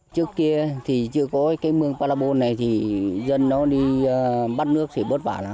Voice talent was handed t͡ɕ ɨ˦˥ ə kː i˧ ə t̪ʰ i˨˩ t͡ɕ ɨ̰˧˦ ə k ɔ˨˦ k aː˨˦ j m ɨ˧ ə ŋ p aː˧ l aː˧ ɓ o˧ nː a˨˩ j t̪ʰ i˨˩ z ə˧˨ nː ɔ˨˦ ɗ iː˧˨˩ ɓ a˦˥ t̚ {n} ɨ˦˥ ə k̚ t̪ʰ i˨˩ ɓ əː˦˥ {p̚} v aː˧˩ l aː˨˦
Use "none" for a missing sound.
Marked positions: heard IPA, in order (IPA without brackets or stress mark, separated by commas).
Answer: n, t̚